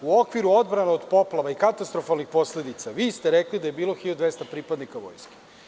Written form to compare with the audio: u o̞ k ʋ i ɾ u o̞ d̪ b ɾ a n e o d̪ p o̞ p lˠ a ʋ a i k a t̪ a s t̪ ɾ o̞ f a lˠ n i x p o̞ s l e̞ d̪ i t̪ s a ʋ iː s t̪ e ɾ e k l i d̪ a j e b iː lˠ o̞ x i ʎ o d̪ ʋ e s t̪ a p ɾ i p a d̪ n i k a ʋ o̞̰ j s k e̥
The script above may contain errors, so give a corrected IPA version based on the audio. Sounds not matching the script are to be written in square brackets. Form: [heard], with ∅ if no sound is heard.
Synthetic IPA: u o̞ k ʋ i ɾ u o̞ d̪ b ɾ a n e o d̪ p o̞ p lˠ a ʋ a i k a t̪ a s t̪ ɾ o̞ f a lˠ n i x p o̞ s l e̞ d̪ i t̪ s a ʋ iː s t̪ e ɾ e k l i d̪ a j e b iː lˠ o̞ x i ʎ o d̪ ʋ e s t̪ a p ɾ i p a d̪ n i k a ʋ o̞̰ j s k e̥

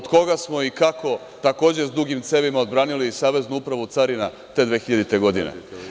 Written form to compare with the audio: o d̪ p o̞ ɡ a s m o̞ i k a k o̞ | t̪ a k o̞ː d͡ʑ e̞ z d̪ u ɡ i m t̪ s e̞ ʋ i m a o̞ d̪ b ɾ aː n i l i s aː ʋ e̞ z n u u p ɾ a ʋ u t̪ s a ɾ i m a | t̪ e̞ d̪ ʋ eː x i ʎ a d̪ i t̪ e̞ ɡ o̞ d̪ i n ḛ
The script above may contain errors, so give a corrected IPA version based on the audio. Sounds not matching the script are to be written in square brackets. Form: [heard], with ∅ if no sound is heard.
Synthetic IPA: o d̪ [k] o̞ ɡ a s m o̞ i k a k o̞ | t̪ a k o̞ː d͡ʑ e̞ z d̪ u ɡ i m t̪ s e̞ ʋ i m a o̞ d̪ b ɾ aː n i l i s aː ʋ e̞ z n u u p ɾ a ʋ u t̪ s a ɾ i [n] a | t̪ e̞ d̪ ʋ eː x i ʎ a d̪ i t̪ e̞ ɡ o̞ d̪ i n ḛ

